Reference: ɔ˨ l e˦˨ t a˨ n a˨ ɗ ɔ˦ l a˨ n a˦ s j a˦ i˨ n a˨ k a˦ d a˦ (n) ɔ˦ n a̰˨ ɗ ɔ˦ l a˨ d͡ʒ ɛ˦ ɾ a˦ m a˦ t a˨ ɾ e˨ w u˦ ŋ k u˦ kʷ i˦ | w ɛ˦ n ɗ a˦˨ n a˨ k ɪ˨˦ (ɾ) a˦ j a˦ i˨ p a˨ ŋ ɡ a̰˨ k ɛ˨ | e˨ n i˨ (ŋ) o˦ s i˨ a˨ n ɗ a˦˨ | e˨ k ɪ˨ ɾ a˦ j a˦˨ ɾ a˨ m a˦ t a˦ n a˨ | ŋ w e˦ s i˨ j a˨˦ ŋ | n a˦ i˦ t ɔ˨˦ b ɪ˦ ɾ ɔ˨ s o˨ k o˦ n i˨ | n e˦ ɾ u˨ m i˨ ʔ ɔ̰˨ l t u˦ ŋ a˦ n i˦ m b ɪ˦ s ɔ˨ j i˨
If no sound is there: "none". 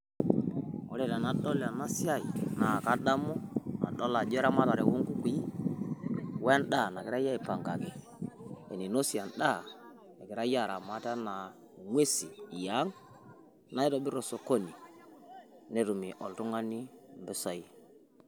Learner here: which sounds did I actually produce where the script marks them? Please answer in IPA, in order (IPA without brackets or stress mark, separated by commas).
m, ɾ, n